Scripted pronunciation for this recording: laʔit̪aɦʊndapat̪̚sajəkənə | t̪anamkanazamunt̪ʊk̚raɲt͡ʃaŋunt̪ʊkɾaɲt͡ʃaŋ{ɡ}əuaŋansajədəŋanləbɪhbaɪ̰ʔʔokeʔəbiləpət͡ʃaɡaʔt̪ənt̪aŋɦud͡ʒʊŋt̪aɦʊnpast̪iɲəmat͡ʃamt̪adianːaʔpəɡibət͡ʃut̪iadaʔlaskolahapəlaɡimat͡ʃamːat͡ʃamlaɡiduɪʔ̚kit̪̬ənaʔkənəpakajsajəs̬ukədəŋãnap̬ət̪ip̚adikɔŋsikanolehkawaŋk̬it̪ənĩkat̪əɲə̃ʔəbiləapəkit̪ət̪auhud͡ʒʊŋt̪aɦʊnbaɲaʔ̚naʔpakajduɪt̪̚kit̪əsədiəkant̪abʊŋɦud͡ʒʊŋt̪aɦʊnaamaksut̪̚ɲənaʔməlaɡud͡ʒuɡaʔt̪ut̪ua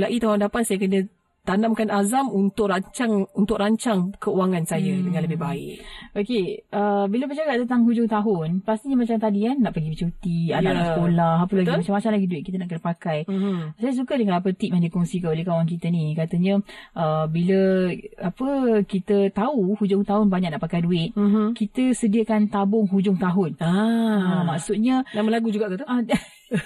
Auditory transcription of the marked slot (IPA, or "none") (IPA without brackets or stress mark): k